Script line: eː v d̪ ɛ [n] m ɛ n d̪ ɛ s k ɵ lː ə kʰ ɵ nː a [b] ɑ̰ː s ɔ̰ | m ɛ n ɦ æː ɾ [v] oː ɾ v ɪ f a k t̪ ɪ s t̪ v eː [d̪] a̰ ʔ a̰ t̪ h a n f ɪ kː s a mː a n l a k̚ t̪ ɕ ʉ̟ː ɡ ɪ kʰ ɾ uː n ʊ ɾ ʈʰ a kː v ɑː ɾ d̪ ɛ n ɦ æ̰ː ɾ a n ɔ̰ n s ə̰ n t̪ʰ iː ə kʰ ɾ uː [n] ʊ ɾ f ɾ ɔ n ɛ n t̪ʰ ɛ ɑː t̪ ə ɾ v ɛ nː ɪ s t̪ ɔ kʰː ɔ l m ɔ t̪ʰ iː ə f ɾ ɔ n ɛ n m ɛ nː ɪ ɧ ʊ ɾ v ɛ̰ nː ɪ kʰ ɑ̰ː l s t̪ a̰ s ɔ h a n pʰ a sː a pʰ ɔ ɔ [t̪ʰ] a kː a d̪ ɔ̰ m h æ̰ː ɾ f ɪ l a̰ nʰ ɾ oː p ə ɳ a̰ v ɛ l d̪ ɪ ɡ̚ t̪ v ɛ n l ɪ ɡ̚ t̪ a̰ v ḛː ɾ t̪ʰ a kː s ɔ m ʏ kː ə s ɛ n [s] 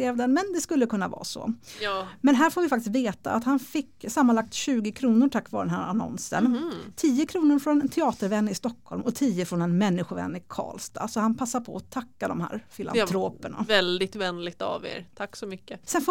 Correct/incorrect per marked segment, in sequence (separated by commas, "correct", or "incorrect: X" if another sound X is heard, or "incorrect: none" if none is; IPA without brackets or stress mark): correct, incorrect: v, incorrect: f, incorrect: t̪, correct, correct, incorrect: f